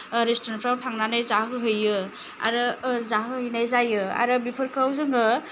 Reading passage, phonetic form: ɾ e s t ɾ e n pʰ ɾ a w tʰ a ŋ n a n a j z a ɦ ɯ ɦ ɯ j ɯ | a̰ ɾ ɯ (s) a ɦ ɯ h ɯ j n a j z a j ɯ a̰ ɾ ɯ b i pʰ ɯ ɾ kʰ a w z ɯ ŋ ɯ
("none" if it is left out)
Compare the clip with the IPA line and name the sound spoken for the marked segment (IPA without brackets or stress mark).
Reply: z